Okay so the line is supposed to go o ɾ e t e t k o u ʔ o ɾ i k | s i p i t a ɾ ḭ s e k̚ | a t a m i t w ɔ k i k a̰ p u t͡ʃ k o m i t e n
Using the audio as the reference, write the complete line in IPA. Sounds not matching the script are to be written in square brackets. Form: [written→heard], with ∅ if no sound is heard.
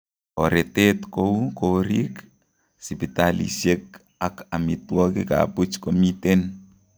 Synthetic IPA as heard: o ɾ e t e t k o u [ʔ→k] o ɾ i k | s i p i t a [ɾ→l] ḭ s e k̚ | a [t→k] a m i t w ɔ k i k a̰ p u t͡ʃ k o m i t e n